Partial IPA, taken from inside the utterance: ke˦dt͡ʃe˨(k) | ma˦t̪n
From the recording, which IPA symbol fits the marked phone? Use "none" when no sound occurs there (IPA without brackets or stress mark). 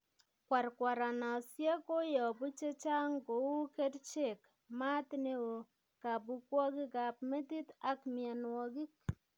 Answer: k